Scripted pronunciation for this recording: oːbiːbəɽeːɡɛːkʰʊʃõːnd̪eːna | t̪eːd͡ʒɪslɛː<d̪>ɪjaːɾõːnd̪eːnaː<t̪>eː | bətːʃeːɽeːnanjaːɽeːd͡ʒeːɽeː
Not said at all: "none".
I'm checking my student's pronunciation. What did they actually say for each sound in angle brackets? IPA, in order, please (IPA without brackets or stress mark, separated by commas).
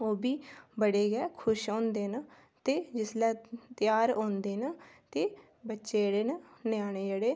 t̪, t̪